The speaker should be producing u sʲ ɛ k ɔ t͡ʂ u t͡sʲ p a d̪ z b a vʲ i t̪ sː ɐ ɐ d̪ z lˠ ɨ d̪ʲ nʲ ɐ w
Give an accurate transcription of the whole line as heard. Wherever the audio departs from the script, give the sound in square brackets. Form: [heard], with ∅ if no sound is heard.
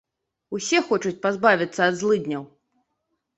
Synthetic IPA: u sʲ ɛ [x] ɔ t͡ʂ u t͡sʲ p a [∅] z b a vʲ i t̪ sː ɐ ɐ d̪ z lˠ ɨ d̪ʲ nʲ ɐ w